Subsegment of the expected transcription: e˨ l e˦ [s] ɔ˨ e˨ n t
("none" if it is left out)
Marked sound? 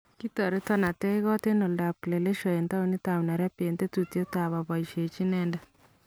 ʃ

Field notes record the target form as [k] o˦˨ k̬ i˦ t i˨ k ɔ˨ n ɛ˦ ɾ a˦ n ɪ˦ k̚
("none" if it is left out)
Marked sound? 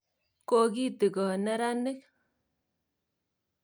k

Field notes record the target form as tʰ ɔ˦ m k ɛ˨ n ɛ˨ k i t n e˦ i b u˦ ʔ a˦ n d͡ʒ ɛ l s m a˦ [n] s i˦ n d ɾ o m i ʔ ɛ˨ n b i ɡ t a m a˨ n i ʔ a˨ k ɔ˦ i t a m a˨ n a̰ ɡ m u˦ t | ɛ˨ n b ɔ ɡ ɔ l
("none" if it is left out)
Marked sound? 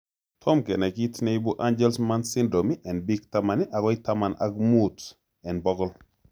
n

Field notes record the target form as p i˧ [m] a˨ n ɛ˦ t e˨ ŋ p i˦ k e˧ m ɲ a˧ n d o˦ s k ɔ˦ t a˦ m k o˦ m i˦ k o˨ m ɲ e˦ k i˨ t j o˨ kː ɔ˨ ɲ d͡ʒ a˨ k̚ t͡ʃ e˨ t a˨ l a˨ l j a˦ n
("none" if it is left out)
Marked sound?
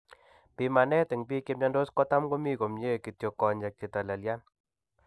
m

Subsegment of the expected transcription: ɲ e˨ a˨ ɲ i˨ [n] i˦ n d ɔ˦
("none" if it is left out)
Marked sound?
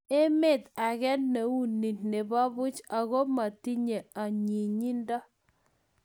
ɲ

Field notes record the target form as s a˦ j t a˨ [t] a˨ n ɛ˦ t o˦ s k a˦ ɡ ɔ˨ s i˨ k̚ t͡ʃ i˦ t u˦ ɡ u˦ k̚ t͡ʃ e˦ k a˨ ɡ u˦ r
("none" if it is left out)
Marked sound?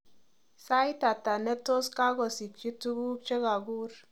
t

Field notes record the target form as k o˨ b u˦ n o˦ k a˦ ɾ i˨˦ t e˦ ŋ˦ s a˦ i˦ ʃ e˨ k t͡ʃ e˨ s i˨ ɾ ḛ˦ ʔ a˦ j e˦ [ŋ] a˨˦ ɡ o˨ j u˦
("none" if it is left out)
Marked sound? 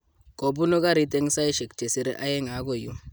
ŋ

